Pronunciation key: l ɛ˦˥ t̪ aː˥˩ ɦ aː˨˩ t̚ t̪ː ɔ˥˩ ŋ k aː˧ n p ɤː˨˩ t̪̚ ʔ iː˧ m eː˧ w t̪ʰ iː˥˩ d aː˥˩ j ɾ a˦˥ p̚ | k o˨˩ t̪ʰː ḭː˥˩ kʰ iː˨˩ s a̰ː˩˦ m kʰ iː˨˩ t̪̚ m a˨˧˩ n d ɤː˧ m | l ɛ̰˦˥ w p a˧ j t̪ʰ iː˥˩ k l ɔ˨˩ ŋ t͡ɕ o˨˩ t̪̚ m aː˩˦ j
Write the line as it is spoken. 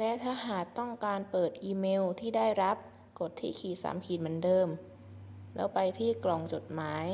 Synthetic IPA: l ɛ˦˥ t̪ʰ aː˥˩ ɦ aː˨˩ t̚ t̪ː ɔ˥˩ ŋ k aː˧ n p ɤː˨˩ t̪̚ ʔ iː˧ m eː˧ w t̪ʰ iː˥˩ d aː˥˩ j ɾ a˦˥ p̚ | k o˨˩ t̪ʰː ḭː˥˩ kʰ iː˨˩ s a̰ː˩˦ m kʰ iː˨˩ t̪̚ m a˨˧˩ n d ɤː˧ m | l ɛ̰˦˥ w p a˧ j t̪ʰ iː˥˩ k l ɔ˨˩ ŋ t͡ɕ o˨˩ t̪̚ m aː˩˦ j